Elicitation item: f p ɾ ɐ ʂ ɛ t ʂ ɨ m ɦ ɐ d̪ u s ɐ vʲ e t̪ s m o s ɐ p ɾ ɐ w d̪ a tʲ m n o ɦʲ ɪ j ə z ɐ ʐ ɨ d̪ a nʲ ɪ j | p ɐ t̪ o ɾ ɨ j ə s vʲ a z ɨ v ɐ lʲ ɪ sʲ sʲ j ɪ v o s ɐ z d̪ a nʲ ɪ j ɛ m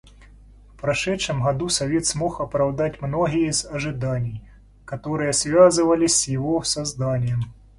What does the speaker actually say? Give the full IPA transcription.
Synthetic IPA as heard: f p ɾ ɐ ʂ ɛ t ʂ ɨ m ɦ ɐ d̪ u s ɐ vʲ e t̪ s m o x ɐ p ɾ ɐ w d̪ a tʲ m n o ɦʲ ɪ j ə z ɐ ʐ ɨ d̪ a nʲ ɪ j | k ɐ t̪ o ɾ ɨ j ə s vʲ a z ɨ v ɐ lʲ ɪ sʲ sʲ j ɪ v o s ɐ z d̪ a nʲ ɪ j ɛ m